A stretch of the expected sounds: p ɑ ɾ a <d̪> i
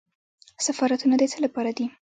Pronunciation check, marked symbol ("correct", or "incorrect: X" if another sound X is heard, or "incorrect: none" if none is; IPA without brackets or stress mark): correct